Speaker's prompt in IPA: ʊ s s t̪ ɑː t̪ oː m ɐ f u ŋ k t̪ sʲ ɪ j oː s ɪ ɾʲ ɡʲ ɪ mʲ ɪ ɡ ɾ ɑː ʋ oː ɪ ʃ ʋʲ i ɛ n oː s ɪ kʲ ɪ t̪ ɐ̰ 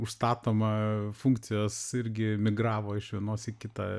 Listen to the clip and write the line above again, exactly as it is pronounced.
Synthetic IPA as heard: ʊ ʃ s t̪ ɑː t̪ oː m ɐ f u ŋ k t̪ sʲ ɪ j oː s ɪ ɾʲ ɡʲ ɪ mʲ ɪ ɡ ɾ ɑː ʋ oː ɪ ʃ ʋʲ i ɛ n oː s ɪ kʲ ɪ t̪ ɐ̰